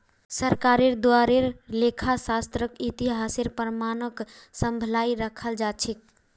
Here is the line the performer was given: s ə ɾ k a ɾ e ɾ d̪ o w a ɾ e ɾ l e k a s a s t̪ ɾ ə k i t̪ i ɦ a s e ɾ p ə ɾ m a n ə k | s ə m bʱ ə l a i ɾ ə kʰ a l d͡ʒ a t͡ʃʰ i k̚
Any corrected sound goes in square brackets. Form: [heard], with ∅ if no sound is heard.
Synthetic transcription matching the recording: s ə ɾ k a ɾ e ɾ d̪ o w a ɾ e ɾ l e [kʰ] a s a s t̪ ɾ ə k i t̪ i ɦ a s e ɾ p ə ɾ m a n ə k | s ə m bʱ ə l a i ɾ ə kʰ [ə] l d͡ʒ a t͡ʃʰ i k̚